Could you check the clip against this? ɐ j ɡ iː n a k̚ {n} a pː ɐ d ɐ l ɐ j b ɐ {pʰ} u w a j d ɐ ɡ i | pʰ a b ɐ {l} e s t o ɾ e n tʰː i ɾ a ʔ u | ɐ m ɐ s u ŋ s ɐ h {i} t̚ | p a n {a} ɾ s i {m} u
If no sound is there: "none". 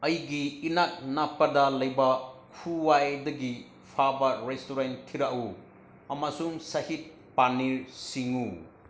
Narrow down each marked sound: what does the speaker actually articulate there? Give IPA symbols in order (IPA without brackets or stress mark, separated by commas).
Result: n, kʰ, ɾ, i, i, ŋ